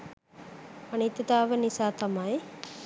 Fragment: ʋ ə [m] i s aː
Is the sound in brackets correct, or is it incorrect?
incorrect